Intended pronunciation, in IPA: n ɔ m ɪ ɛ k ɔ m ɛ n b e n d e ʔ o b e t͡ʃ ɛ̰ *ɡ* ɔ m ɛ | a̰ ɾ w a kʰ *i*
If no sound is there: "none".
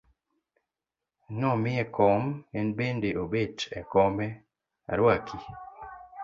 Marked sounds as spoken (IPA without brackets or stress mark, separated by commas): k, i